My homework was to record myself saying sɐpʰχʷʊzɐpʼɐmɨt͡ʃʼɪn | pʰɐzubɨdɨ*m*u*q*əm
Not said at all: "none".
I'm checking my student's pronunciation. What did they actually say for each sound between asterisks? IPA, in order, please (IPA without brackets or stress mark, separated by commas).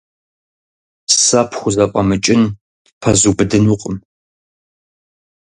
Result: n, qʼ